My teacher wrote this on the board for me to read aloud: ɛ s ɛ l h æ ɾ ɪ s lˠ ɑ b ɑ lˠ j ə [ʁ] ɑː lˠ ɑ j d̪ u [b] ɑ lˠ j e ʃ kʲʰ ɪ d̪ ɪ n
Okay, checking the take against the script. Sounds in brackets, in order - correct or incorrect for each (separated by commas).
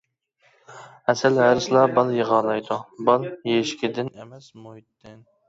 correct, correct